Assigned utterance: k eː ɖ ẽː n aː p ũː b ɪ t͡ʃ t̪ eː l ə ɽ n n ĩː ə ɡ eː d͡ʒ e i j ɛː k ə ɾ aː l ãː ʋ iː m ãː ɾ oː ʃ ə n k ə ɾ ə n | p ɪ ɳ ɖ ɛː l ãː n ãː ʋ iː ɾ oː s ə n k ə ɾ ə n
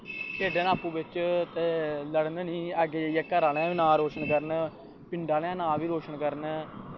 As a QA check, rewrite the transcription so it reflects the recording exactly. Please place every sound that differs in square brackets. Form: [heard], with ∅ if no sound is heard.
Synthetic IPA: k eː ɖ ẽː n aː p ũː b ɪ t͡ʃ t̪ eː l ə ɽ n n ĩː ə ɡ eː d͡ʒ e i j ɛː k ə ɾ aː l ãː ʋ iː [n] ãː ɾ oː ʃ ə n k ə ɾ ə n | p ɪ ɳ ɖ [aː] l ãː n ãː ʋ iː ɾ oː [ʃ] ə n k ə ɾ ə n